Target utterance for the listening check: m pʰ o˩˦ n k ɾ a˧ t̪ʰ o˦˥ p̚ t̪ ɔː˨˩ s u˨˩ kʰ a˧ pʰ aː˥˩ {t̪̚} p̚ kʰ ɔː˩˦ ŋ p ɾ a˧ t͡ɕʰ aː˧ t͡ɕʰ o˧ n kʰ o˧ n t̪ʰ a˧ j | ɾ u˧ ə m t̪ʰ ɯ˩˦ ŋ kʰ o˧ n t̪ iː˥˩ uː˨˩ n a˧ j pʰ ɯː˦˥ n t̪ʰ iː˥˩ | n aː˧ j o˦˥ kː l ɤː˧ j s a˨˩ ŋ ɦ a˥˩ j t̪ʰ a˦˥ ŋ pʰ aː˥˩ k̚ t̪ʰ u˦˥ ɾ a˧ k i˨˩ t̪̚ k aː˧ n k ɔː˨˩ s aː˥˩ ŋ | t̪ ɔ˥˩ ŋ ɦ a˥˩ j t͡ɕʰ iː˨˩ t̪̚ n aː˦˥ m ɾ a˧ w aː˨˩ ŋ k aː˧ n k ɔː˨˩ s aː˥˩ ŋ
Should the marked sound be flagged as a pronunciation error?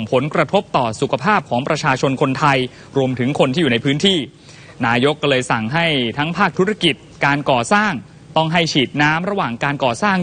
yes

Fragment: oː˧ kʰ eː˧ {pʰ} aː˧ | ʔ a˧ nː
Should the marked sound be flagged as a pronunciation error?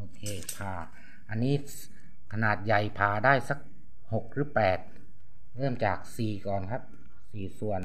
no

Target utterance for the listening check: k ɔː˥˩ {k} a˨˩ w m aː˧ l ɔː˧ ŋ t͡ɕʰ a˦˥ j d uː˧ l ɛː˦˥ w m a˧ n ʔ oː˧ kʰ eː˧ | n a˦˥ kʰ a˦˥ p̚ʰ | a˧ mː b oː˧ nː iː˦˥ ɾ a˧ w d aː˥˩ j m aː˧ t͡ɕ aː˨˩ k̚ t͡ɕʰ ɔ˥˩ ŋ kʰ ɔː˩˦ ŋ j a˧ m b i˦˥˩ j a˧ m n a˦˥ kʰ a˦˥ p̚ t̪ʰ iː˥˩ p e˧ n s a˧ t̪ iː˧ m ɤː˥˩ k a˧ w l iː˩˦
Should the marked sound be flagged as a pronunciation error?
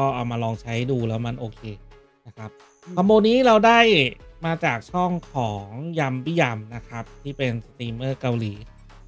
yes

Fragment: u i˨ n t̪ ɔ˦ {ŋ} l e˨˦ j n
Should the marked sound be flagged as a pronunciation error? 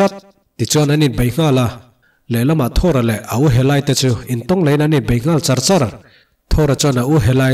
no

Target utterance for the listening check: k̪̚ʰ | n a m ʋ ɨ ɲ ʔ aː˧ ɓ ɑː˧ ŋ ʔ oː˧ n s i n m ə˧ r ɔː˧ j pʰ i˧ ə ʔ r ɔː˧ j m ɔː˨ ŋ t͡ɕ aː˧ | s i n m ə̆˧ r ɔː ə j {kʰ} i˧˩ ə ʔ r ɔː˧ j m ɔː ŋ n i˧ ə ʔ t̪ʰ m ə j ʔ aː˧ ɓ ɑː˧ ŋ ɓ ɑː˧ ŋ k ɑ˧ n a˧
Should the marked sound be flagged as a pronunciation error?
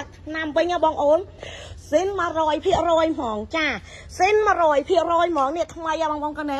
yes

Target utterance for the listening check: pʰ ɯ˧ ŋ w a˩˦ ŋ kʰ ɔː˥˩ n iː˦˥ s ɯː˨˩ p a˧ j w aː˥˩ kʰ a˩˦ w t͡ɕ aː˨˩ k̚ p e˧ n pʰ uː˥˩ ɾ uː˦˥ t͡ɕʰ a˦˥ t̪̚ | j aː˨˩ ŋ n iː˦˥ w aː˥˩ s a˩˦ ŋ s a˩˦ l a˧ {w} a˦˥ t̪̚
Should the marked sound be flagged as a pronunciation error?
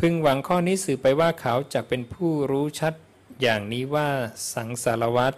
no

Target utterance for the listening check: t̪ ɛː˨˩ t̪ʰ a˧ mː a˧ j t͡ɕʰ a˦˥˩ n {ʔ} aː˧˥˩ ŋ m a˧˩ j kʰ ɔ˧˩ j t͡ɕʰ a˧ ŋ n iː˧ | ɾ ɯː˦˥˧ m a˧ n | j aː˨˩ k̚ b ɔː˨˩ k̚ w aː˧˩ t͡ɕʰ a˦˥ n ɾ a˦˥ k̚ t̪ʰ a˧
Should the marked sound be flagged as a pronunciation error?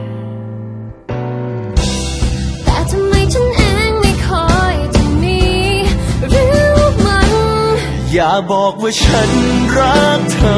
no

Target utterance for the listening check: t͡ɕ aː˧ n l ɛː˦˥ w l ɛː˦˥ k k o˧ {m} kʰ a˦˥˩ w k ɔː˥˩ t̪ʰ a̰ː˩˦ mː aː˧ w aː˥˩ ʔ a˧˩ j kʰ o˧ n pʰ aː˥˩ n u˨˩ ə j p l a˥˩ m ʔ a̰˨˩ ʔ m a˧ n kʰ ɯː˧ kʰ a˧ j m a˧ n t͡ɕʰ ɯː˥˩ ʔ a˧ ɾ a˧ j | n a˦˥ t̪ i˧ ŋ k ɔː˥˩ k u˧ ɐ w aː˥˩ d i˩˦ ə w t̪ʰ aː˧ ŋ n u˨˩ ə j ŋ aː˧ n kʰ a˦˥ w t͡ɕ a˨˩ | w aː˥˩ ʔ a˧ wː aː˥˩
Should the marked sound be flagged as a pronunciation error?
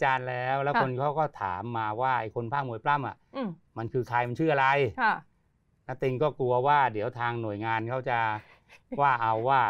yes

